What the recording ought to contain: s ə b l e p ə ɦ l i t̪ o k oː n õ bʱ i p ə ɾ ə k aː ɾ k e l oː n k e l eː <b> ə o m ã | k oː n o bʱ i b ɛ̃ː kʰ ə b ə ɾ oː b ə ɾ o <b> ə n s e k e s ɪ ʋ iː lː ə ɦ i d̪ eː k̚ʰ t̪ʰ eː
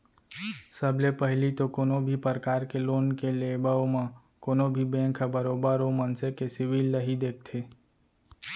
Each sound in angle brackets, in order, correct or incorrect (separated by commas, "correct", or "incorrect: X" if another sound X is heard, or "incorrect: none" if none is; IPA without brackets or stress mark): correct, incorrect: m